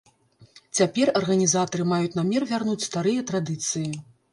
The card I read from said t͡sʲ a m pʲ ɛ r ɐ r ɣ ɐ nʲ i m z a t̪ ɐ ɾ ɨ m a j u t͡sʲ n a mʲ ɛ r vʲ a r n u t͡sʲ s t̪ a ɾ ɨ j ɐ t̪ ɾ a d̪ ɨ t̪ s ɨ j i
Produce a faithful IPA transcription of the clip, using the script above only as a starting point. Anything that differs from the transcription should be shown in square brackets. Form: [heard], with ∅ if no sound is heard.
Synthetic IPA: t͡sʲ a [∅] pʲ ɛ r ɐ r ɣ ɐ nʲ i [∅] z a t̪ ɐ ɾ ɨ m a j u t͡sʲ n a mʲ ɛ r vʲ a r n u t͡sʲ s t̪ a ɾ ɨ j ɐ t̪ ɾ a d̪ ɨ t̪ s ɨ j i